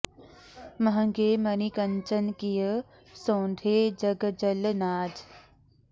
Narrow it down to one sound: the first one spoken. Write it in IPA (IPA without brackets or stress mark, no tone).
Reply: m